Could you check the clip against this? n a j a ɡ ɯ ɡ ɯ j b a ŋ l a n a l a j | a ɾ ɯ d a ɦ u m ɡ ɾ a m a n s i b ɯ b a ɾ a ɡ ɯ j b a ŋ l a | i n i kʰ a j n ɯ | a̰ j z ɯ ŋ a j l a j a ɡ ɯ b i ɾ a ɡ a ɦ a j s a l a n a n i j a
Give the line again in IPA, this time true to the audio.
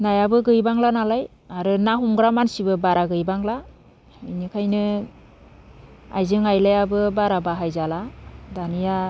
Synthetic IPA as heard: n a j a b ɯ ɡ ɯ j b a ŋ l a n a l a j | a ɾ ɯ n a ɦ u m ɡ ɾ a m a n s i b ɯ b a ɾ a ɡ ɯ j b a ŋ l a | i n i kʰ a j n ɯ | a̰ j z ɯ ŋ a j l a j a b ɯ b a ɾ a b a ɦ a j z a l a d a n i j a

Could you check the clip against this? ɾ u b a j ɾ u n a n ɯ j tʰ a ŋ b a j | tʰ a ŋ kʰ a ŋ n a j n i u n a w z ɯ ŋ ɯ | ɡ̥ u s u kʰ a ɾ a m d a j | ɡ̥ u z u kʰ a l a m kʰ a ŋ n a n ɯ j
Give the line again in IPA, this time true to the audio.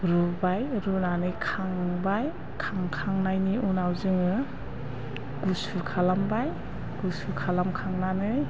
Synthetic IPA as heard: ɾ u b a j ɾ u n a n ɯ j kʰ a ŋ b a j | kʰ a ŋ kʰ a ŋ n a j n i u n a w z ɯ ŋ ɯ | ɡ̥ u s u kʰ a l a m b a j | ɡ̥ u s u kʰ a l a m kʰ a ŋ n a n ɯ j

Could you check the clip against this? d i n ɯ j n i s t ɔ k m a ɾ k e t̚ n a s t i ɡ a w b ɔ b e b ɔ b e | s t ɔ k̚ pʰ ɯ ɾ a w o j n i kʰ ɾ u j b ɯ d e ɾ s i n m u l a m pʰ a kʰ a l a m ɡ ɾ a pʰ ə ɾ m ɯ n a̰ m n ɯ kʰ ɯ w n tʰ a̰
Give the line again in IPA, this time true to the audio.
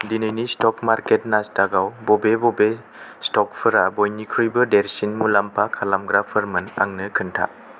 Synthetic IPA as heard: d i n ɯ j n i s t ɔ k m a ɾ k e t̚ n a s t a ɡ a w b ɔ b e b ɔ b e | s t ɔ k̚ pʰ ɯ ɾ a b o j n i kʰ ɾ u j b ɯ d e ɾ s i n m u l a m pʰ a kʰ a l a m ɡ ɾ a pʰ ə ɾ m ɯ n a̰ ŋ n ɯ kʰ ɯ n tʰ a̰

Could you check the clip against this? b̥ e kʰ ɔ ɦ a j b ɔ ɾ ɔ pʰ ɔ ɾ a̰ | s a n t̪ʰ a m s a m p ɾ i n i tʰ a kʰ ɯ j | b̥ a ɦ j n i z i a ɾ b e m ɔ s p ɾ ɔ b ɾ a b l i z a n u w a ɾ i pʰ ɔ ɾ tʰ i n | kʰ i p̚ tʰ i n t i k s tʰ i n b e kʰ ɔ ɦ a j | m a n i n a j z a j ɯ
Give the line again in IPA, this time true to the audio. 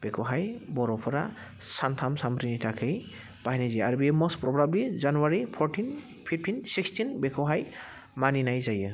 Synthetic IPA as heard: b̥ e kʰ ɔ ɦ a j b ɔ ɾ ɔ pʰ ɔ ɾ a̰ | s a n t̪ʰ a m s a m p ɾ i n i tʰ a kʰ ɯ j | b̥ a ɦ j n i z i a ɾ b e m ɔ s p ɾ ɔ b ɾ a b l i z a n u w a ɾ i pʰ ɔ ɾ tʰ i n | pʰ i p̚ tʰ i n s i k s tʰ i n b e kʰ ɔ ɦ a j | m a n i n a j z a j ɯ

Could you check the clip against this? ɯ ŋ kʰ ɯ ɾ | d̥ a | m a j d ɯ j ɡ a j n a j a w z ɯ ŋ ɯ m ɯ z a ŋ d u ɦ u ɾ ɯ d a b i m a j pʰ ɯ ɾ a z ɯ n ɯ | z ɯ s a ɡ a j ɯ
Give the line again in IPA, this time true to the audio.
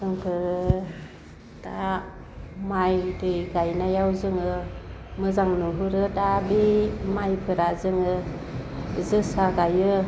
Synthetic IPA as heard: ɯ ŋ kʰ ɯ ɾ | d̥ a | m a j d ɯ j ɡ a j n a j a w z ɯ ŋ ɯ m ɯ z a ŋ n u ɦ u ɾ ɯ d a b i m a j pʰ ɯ ɾ a z ɯ ŋ ɯ | z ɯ s a ɡ a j ɯ

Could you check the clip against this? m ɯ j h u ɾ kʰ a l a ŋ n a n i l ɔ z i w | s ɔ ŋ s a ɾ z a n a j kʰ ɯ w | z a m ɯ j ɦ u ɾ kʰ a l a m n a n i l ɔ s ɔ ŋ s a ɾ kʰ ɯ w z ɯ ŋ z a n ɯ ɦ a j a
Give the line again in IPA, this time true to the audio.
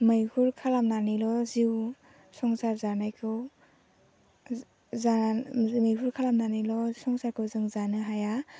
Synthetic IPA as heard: m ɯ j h u ɾ kʰ a l a m n a n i l ɔ z i w | s ɔ ŋ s a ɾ z a n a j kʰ ɯ w | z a m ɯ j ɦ u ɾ kʰ a l a m n a n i l ɔ s ɔ ŋ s a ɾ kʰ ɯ w z ɯ ŋ z a n ɯ ɦ a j a

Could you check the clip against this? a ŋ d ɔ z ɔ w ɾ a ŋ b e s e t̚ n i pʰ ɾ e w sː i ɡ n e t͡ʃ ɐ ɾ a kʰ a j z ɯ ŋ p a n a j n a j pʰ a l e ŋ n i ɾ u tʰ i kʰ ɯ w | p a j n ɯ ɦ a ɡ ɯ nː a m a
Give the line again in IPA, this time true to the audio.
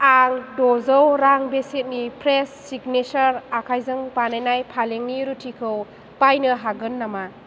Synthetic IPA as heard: a ŋ d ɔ z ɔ w ɾ a ŋ b e s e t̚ n i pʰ ɾ e sː i ɡ n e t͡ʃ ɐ ɾ a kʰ a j z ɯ ŋ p a n a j n a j pʰ a l e ŋ n i ɾ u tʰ i kʰ ɯ w | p a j n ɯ ɦ a ɡ ɯ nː a m a

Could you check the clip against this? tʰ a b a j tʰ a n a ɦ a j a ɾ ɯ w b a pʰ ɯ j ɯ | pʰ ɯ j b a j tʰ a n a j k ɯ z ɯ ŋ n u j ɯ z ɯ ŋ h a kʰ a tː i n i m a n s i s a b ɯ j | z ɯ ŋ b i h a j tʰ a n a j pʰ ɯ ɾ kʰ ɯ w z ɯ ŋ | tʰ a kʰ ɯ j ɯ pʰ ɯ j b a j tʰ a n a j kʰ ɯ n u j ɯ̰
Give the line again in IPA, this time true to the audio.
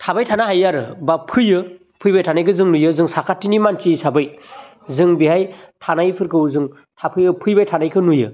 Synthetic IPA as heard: tʰ a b a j tʰ a n a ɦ a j a ɾ ɯ b a pʰ ɯ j ɯ | pʰ ɯ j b a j tʰ a n a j k ɯ z ɯ ŋ n u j ɯ z ɯ ŋ s a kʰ a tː i n i m a n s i s a b ɯ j | z ɯ ŋ b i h a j tʰ a n a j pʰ ɯ ɾ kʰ ɯ w z ɯ ŋ | tʰ a pʰ ɯ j ɯ pʰ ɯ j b a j tʰ a n a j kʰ ɯ n u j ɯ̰

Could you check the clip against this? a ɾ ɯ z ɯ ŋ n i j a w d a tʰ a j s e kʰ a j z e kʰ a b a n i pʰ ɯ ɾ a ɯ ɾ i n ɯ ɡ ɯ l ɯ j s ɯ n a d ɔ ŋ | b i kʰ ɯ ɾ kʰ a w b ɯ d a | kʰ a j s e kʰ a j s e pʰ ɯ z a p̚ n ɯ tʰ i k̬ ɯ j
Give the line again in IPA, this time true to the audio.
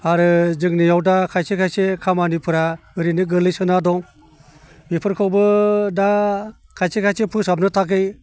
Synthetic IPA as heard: a ɾ ɯ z ɯ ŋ n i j a w d a kʰ a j s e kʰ a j s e kʰ a m a n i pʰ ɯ ɾ a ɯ ɾ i n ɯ ɡ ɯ l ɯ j s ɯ n a d ɔ ŋ | b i pʰ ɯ ɾ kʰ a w b ɯ d a | kʰ a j s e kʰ a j s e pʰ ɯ s a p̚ n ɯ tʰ a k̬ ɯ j

